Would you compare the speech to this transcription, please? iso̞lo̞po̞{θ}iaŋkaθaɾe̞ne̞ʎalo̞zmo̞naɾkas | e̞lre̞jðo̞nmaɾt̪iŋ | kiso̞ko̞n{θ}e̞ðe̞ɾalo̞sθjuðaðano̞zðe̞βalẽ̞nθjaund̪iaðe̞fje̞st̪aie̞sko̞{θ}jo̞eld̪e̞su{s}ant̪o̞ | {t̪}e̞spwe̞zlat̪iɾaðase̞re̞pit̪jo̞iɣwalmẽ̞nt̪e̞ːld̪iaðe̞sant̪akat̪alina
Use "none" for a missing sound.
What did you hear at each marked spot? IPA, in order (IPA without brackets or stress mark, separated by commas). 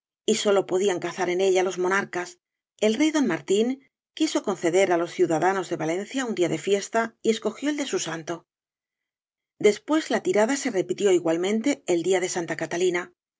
ð, θ, x, s, d̪